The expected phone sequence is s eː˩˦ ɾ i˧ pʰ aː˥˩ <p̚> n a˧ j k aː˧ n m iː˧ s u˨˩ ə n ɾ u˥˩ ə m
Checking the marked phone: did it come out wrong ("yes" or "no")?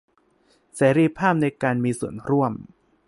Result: no